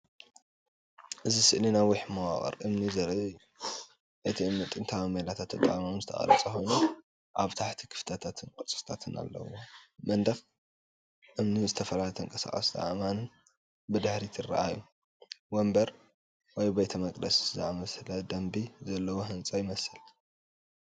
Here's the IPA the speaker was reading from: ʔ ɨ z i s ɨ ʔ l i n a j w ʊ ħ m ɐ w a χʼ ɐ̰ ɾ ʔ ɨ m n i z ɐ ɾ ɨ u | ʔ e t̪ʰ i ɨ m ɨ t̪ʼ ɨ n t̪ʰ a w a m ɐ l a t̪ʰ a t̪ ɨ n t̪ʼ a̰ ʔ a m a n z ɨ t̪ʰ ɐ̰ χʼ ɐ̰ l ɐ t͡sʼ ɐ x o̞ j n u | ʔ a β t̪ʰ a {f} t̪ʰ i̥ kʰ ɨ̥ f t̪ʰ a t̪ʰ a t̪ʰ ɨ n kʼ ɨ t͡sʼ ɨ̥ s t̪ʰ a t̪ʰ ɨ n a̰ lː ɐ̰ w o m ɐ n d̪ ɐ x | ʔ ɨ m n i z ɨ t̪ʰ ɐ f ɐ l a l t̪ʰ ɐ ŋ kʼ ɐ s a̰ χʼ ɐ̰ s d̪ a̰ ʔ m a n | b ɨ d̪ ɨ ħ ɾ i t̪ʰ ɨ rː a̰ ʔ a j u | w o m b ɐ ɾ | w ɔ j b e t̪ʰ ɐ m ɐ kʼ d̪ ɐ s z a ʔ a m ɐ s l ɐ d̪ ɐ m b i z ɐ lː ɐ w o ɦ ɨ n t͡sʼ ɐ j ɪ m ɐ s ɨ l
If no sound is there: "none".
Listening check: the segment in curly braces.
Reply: ħ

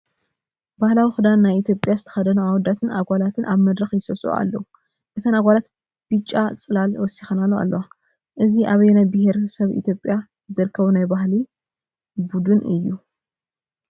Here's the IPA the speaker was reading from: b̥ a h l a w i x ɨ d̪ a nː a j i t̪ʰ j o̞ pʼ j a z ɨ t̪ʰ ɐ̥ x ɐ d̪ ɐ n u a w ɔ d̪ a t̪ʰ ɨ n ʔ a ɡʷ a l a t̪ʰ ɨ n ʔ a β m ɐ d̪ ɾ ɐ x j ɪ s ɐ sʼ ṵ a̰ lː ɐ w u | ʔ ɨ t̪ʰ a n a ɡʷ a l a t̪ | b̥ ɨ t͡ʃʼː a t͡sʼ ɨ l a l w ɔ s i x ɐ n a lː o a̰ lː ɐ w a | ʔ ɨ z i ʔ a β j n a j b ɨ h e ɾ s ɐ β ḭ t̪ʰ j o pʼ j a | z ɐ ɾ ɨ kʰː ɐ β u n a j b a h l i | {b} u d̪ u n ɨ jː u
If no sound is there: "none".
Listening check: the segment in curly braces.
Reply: b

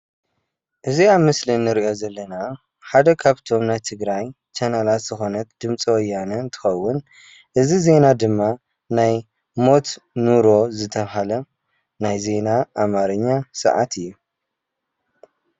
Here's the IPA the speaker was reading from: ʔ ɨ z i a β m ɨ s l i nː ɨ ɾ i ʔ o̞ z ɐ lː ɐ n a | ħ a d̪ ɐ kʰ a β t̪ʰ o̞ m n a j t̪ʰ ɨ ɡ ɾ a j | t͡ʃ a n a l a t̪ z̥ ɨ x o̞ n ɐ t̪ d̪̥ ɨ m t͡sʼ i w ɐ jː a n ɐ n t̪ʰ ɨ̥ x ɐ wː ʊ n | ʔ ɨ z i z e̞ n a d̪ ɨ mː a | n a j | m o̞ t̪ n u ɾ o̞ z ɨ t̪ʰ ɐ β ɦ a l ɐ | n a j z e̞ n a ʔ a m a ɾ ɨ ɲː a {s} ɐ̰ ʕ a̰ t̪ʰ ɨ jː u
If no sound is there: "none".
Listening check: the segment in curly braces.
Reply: s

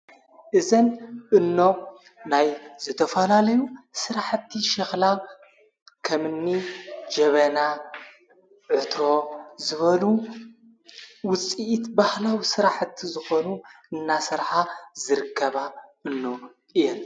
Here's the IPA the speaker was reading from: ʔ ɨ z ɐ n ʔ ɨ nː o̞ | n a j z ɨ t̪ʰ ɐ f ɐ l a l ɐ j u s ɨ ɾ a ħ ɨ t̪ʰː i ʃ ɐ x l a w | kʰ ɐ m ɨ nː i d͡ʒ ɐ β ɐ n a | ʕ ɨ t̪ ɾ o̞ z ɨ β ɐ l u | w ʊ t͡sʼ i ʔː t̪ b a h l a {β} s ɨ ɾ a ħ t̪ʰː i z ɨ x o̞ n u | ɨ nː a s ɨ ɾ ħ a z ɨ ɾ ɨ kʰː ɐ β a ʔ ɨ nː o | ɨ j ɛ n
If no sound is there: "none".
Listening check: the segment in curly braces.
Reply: w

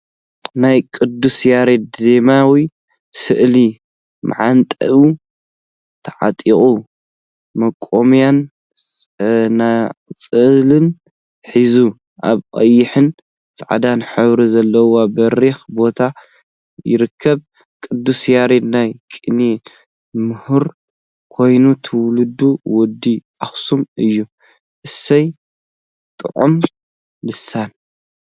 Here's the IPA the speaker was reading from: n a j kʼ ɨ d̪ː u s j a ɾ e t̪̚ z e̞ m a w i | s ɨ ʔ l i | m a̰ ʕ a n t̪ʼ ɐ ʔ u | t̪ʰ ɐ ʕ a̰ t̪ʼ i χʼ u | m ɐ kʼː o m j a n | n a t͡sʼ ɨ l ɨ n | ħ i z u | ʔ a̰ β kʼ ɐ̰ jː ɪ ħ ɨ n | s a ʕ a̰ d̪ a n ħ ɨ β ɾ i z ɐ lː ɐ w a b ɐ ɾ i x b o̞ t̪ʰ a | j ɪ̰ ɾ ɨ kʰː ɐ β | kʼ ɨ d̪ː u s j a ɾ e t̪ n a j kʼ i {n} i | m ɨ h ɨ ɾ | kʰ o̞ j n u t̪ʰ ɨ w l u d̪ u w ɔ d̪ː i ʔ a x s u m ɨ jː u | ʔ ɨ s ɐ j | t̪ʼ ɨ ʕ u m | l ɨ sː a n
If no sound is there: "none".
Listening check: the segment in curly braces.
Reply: n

